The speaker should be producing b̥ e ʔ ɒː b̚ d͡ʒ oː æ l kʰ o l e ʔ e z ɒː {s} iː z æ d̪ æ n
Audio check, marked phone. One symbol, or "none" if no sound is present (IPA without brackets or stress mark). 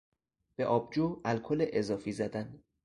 f